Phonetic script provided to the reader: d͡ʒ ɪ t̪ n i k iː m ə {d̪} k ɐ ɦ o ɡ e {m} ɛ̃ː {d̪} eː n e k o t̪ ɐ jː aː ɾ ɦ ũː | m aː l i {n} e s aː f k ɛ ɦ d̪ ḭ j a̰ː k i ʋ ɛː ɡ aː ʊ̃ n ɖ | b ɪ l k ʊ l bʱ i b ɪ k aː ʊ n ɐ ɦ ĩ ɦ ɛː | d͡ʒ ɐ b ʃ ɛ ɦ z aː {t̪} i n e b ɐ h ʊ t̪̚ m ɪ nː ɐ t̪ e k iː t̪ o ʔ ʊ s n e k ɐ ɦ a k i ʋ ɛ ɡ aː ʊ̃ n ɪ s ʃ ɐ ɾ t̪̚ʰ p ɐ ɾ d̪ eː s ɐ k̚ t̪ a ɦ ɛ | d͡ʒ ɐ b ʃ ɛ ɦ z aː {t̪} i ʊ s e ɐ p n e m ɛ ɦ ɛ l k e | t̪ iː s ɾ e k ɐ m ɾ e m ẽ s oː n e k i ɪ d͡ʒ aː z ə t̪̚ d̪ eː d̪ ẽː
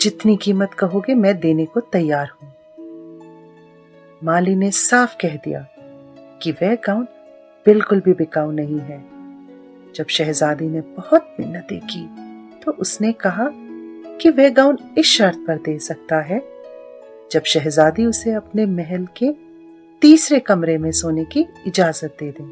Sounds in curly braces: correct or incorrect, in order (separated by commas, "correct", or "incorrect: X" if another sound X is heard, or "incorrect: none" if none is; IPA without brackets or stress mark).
incorrect: t̪, correct, correct, correct, incorrect: d̪, incorrect: d̪